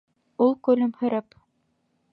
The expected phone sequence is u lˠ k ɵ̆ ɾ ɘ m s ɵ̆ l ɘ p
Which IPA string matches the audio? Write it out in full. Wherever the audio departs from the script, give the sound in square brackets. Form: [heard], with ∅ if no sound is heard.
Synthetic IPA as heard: u lˠ k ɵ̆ [l] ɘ m [h] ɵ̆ [ɾ] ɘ p